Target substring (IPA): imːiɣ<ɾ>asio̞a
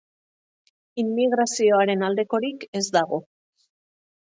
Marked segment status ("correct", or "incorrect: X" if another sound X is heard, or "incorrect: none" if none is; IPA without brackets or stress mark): correct